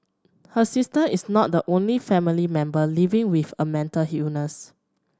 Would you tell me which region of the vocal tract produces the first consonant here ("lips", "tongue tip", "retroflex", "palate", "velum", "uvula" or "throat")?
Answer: throat